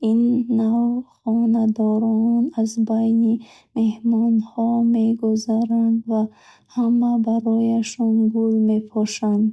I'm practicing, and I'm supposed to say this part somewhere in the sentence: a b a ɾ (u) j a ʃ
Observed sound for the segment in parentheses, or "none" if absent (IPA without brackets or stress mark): ɔ